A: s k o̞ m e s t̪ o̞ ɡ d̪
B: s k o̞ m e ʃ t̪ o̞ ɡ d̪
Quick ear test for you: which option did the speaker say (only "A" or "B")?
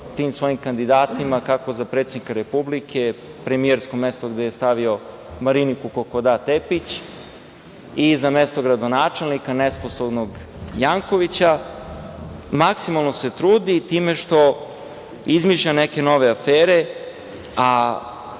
A